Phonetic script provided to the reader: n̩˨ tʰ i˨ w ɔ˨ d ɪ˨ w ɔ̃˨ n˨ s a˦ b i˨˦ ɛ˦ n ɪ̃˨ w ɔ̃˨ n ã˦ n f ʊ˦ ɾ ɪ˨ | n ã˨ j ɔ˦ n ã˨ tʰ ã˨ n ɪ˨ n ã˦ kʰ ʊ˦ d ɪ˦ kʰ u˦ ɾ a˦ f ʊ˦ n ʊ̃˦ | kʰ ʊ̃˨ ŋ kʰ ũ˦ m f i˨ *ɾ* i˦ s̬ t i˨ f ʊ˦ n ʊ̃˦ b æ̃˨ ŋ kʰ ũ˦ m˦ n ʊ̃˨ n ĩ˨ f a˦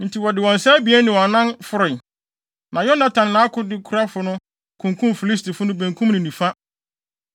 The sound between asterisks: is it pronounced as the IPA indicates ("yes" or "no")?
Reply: no